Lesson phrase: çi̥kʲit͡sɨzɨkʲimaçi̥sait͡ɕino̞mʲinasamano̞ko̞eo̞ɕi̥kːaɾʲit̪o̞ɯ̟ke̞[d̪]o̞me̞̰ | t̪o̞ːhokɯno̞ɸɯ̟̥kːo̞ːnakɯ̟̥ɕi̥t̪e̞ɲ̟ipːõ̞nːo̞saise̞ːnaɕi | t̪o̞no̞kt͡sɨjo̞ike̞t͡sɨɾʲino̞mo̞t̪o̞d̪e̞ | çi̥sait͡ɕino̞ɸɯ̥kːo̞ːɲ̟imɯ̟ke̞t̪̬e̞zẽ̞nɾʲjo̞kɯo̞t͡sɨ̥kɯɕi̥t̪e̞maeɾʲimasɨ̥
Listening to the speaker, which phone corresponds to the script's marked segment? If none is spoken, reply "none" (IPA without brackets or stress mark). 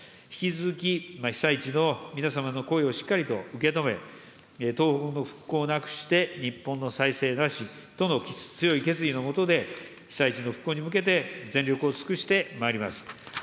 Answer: t̪